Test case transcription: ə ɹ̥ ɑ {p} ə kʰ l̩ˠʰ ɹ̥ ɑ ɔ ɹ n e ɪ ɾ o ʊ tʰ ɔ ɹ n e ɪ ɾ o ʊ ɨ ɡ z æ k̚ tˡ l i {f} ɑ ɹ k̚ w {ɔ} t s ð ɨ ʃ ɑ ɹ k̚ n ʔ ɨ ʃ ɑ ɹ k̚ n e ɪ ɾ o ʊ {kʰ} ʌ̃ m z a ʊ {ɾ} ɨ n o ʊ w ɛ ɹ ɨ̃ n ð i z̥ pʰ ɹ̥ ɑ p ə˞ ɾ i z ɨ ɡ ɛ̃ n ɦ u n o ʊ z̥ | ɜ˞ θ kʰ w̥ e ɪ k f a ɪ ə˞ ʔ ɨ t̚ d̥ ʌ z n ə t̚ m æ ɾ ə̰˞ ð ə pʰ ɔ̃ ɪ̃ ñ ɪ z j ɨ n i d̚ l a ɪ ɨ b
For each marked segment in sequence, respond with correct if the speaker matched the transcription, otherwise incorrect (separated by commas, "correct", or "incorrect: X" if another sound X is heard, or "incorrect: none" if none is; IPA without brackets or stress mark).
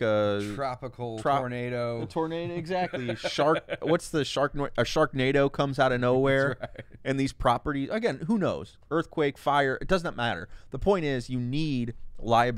correct, incorrect: ʃ, incorrect: ʌ, correct, correct